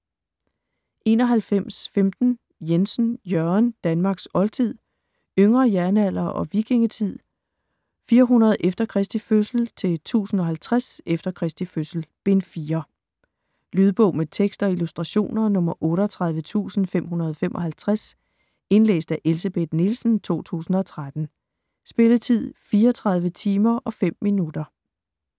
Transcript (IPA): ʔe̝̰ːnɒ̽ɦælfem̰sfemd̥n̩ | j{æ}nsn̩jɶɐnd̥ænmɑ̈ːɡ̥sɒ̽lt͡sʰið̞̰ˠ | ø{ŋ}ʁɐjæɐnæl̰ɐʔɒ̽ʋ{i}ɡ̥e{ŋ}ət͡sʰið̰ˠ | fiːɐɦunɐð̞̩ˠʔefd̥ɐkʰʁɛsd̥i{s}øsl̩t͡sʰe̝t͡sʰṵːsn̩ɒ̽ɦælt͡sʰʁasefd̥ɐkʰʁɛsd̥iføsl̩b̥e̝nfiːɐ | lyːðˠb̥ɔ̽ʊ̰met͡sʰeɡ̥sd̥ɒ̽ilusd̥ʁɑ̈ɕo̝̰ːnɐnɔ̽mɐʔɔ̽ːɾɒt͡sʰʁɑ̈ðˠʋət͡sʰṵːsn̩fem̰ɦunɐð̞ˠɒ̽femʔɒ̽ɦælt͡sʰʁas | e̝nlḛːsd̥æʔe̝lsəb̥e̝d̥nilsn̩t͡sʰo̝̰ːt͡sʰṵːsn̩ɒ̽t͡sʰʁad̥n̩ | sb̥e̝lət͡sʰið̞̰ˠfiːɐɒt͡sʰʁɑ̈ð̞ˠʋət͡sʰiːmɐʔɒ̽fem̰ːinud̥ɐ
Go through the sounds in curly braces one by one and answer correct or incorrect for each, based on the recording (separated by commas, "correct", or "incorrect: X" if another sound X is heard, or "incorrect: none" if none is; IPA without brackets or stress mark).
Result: incorrect: e, correct, correct, correct, incorrect: f